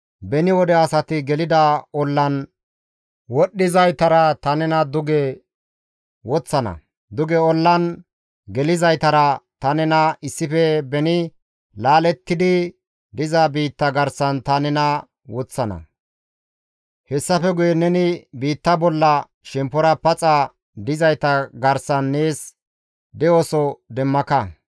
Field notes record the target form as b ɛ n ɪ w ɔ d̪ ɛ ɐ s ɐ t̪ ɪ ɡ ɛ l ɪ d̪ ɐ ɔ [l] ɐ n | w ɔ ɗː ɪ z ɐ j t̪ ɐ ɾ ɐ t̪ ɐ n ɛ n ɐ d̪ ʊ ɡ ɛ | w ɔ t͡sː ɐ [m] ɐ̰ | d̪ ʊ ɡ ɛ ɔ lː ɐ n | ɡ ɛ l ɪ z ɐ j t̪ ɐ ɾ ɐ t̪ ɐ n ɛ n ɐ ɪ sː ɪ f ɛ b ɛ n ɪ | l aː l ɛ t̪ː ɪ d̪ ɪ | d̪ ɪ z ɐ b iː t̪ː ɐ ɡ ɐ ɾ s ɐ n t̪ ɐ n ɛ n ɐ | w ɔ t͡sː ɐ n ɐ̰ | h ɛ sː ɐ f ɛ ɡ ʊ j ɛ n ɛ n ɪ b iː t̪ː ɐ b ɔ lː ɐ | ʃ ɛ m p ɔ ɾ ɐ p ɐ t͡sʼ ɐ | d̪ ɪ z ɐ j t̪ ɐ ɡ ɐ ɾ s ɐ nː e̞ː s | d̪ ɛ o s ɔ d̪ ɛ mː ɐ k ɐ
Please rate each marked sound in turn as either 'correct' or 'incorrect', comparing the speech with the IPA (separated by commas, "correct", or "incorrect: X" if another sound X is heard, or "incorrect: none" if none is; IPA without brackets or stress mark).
incorrect: lː, incorrect: n